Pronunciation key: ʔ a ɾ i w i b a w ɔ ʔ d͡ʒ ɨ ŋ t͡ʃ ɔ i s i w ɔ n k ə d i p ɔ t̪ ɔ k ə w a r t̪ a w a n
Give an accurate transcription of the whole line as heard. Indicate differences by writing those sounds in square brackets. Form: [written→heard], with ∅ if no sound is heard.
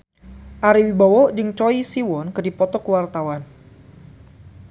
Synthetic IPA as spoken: ʔ a ɾ i w i b a w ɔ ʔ d͡ʒ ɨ ŋ t͡ʃ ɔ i s i w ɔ n k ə d i p ɔ t̪ ɔ k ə w a r t̪ a w a n